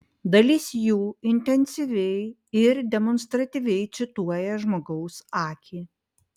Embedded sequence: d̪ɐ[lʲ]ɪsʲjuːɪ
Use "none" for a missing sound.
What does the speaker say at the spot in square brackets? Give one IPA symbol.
lʲ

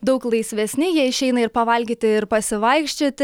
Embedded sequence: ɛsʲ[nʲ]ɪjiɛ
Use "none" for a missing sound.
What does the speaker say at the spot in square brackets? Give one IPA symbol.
nʲ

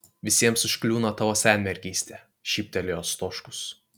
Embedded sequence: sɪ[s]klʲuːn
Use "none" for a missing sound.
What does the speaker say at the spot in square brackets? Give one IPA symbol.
ʃ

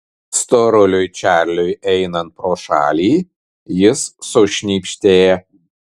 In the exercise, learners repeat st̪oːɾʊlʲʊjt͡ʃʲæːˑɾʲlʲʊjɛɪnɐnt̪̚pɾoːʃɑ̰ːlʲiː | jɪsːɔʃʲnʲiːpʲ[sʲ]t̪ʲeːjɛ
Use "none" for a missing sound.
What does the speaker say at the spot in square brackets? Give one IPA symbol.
ʃʲ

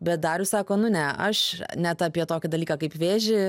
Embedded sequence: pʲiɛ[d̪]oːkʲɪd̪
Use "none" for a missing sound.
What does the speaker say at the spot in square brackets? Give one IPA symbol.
t̪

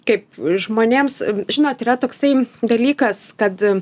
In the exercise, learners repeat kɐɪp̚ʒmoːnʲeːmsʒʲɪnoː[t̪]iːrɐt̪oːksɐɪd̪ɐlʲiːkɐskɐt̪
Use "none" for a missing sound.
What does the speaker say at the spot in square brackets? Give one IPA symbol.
t̪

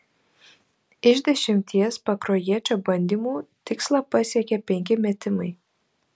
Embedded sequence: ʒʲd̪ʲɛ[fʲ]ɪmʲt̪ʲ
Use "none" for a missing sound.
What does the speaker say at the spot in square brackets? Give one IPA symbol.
ʃʲ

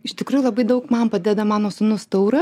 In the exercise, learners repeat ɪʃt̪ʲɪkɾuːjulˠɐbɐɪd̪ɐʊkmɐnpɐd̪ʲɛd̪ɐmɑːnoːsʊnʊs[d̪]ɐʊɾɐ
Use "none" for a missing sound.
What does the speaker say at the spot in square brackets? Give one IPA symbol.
t̪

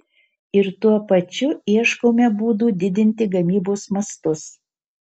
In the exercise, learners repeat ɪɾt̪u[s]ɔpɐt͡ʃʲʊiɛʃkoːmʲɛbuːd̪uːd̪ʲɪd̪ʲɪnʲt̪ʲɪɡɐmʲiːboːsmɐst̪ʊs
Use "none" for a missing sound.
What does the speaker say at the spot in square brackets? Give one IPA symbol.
none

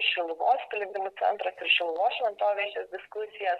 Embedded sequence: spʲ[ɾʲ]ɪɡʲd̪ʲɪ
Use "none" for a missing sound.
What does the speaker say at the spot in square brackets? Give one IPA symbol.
lʲ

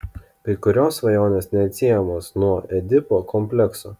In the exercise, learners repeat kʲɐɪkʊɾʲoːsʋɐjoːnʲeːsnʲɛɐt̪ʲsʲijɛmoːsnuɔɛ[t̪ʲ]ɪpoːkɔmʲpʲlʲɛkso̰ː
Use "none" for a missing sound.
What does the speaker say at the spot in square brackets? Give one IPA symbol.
d̪ʲ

